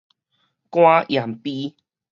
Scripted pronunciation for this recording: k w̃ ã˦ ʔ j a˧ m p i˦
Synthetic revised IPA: k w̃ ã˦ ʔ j a˨˩ m p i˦